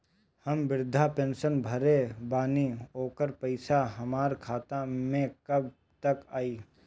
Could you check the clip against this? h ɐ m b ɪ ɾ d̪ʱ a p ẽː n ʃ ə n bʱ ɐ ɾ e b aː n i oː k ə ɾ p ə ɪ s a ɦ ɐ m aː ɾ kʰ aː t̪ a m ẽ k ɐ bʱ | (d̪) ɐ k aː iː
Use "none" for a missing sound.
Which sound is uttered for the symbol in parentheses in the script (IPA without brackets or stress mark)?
t̪